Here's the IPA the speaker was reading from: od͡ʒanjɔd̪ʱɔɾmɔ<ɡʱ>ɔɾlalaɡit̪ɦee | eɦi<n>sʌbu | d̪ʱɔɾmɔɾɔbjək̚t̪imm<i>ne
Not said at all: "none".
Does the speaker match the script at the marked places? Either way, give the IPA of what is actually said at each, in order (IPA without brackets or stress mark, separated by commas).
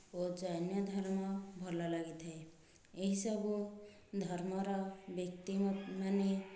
bʱ, none, a